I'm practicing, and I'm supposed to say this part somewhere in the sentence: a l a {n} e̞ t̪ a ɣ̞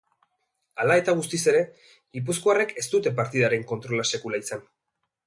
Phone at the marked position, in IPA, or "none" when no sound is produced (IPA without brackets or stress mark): none